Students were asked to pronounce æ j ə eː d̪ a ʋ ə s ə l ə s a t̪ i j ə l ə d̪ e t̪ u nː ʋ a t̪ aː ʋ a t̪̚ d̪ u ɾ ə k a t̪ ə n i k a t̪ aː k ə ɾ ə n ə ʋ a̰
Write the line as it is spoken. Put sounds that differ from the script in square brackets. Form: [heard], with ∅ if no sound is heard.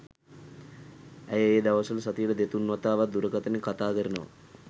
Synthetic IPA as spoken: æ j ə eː d̪ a ʋ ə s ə l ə s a t̪ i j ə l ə d̪ e t̪ u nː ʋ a t̪ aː ʋ a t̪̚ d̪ u ɾ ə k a t̪ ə n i k a t̪ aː k ə ɾ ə n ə ʋ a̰